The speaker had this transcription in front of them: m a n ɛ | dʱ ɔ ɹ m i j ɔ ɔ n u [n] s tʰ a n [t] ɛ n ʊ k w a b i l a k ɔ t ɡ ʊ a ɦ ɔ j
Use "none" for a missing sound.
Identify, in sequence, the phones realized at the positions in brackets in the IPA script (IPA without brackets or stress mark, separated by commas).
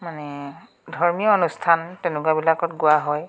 none, t